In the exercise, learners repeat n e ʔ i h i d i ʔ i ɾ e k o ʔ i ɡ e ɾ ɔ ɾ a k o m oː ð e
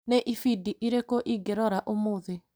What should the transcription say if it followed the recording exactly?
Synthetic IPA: n e ʔ i f i d i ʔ i ɾ e k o ʔ i ɡ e ɾ ɔ ɾ a ʔ o m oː ð e